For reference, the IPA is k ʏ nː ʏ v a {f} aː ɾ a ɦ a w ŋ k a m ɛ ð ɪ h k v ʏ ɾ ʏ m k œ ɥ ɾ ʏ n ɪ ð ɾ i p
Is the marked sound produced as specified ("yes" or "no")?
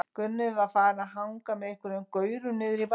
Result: yes